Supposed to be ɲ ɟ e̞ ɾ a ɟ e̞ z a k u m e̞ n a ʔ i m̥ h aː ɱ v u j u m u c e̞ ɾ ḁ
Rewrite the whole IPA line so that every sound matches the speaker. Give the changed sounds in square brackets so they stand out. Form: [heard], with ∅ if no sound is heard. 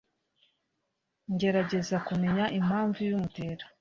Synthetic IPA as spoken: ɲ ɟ e̞ ɾ a ɟ e̞ z a k u m e̞ [ɲ] a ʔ i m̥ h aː ɱ v u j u m u [t] e̞ ɾ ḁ